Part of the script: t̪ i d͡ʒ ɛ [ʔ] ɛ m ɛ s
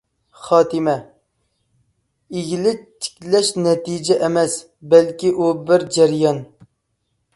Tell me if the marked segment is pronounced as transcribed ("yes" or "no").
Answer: yes